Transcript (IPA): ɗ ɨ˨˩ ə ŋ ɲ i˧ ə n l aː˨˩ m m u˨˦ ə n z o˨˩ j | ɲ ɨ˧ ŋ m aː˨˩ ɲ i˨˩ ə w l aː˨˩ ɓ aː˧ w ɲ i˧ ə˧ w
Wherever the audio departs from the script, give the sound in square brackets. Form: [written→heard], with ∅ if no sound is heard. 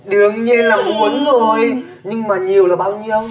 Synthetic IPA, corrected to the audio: ɗ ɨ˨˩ ə ŋ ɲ i˧ ə n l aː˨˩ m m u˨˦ ə n z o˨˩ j | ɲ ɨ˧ ŋ m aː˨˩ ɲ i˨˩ ə w l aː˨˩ ɓ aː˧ w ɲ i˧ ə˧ w